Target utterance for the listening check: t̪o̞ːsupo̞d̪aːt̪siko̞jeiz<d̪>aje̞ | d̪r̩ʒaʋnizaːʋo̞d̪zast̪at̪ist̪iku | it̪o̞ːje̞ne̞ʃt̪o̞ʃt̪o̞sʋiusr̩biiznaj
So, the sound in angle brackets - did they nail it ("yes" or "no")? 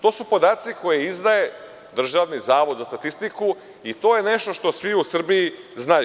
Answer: yes